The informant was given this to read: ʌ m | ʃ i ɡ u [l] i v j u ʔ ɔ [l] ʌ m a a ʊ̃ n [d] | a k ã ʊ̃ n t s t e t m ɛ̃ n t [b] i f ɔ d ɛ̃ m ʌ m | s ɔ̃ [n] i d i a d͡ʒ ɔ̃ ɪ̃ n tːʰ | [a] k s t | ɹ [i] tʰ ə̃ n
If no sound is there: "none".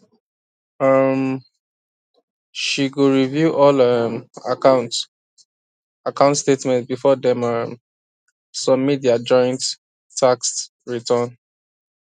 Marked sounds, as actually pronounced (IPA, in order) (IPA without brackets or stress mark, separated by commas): ɹ, l, t, b, m, a, i